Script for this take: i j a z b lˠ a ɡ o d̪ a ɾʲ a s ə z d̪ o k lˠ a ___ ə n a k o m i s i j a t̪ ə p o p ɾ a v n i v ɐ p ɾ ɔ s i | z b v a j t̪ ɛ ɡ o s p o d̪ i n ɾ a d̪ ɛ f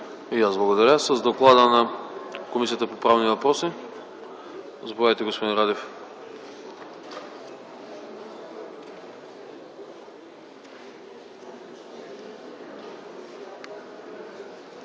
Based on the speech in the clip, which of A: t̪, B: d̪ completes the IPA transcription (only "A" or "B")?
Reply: B